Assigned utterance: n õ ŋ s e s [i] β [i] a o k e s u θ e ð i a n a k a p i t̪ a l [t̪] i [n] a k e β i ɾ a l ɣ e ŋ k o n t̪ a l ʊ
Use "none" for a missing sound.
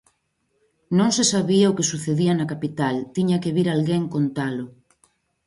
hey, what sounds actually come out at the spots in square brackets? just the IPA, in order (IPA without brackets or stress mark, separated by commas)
a, i, t̪, ɲ